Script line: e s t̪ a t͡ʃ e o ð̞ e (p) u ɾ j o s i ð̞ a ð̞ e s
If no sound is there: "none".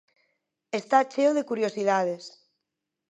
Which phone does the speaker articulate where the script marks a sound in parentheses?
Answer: k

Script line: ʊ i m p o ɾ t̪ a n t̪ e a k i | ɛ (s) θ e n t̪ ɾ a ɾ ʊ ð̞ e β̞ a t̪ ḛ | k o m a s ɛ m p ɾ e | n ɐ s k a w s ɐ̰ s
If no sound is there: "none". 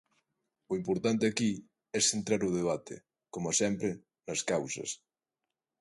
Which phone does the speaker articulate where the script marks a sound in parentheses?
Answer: s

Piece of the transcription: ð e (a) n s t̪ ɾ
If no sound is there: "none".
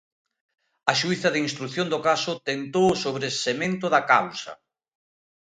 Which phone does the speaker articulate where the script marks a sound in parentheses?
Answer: i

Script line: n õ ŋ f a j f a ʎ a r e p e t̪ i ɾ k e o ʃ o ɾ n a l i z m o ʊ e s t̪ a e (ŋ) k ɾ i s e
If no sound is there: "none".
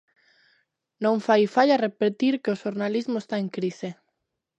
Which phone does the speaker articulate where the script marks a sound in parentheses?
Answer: ŋ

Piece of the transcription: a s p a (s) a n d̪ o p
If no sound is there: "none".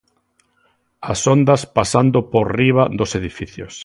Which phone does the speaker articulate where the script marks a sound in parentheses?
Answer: s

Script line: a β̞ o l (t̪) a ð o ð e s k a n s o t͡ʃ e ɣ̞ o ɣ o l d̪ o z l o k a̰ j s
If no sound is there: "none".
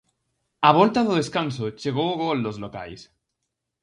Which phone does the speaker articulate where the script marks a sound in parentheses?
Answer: t̪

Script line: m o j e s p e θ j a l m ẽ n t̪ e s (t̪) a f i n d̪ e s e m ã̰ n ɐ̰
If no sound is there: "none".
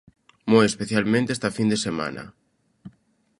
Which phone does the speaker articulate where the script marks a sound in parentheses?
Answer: t̪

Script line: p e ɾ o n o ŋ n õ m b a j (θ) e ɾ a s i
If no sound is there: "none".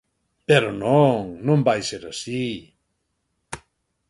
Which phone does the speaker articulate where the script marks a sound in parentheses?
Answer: s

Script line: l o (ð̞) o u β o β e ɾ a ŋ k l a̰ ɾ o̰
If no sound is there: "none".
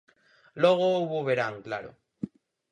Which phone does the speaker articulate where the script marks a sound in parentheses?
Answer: ɣ̞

